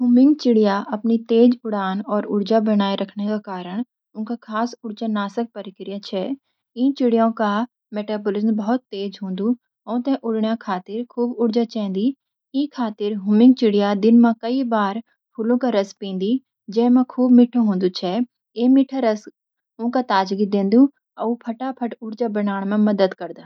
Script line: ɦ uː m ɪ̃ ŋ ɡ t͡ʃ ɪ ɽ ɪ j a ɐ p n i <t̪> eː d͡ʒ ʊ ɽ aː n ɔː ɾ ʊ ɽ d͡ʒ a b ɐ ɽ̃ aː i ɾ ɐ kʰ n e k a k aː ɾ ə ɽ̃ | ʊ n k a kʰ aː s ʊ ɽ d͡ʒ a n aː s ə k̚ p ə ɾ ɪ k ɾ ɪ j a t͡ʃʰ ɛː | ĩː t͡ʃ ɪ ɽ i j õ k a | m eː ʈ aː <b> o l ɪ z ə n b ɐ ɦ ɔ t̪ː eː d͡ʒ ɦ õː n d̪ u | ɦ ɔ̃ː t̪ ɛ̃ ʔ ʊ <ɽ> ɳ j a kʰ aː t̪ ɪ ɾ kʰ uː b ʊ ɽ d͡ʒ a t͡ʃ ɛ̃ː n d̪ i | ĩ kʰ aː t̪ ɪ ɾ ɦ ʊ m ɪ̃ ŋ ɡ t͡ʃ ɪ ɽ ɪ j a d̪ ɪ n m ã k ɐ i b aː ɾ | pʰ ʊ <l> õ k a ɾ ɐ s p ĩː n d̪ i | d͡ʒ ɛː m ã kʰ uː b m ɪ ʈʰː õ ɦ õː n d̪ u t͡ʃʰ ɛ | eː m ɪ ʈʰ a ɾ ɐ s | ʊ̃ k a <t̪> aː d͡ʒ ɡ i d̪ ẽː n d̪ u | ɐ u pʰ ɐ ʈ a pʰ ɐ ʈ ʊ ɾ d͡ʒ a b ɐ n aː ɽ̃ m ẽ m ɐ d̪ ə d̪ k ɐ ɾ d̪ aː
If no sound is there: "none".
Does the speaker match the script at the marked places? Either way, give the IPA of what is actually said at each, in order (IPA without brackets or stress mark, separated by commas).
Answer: t̪, b, ɽ, l, t̪